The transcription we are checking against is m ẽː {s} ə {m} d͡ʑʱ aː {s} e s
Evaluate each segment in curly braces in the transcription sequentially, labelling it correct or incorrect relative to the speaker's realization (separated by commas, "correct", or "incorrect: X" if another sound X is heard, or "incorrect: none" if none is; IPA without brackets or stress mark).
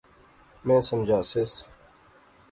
correct, correct, correct